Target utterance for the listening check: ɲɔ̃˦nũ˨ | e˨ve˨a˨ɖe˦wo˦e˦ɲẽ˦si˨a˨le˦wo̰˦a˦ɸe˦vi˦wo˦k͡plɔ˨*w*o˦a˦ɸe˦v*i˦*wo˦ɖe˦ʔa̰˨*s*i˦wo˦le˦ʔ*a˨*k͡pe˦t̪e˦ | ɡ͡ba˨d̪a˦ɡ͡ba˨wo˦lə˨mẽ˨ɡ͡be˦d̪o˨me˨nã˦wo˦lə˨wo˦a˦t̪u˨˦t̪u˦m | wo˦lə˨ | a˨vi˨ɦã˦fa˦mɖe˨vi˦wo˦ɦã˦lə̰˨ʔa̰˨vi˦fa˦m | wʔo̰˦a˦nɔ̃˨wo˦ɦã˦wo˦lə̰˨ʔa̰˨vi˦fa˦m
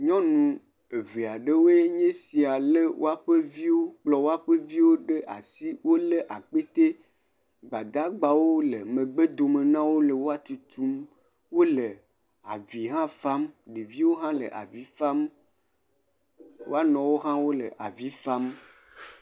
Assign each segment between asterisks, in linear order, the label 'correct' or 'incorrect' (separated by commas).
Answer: correct, correct, correct, correct